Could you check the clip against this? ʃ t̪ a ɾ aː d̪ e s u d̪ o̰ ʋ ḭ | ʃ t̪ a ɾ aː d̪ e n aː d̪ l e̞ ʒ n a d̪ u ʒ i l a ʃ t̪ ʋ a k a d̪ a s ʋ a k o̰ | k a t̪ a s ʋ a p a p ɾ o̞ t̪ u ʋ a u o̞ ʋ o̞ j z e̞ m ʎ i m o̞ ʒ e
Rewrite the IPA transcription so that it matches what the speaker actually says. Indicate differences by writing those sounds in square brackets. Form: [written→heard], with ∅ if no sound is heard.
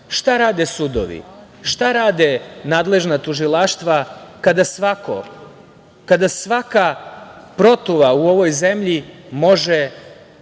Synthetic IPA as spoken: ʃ t̪ a ɾ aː d̪ e s u d̪ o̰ ʋ ḭ | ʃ t̪ a ɾ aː d̪ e n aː d̪ l e̞ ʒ n a [d̪→t̪] u ʒ i l a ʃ t̪ ʋ a k a d̪ a s ʋ a k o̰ | k a [t̪→d̪] a s ʋ a [p→k] a p ɾ o̞ t̪ u ʋ a u o̞ ʋ o̞ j z e̞ m ʎ i m o̞ ʒ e